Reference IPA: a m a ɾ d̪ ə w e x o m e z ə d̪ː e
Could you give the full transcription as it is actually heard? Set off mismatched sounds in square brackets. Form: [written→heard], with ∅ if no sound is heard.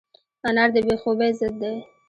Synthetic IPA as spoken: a [m→n] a ɾ d̪ ə [w→b] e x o [m→b] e z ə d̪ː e